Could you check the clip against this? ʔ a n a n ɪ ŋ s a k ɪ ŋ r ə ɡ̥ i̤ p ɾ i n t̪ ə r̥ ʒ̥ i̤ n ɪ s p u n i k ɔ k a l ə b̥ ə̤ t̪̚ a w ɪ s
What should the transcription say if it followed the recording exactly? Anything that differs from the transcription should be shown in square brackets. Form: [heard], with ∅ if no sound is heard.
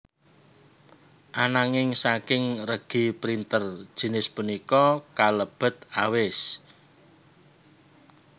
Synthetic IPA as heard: ʔ a n a [ŋ] ɪ ŋ s a k ɪ ŋ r ə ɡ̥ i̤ p ɾ i n t̪ ə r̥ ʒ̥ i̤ n ɪ s p u n i k ɔ k a l ə b̥ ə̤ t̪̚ a w ɪ s